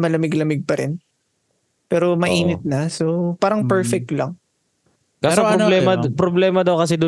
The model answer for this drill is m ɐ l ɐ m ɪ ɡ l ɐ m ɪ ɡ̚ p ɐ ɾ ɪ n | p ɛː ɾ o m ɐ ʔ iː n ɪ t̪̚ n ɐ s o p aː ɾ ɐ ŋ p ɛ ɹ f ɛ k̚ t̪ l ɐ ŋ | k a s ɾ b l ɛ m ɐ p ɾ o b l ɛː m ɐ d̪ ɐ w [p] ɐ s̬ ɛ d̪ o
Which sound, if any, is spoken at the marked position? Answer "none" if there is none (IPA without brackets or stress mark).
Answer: k